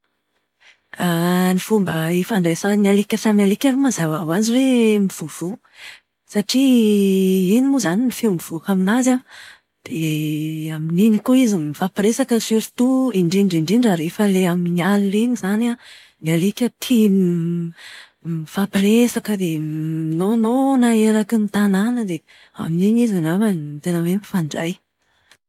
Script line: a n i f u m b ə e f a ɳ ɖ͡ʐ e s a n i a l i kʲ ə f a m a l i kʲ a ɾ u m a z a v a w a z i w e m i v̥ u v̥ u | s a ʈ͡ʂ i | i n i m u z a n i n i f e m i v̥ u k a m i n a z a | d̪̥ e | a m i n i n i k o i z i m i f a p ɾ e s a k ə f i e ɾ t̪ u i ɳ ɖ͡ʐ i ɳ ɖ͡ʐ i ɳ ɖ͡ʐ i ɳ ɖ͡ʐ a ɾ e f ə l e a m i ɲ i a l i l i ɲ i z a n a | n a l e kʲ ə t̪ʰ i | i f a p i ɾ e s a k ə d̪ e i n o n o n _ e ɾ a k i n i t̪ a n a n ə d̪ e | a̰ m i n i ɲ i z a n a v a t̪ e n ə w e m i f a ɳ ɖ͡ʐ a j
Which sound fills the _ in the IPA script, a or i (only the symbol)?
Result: a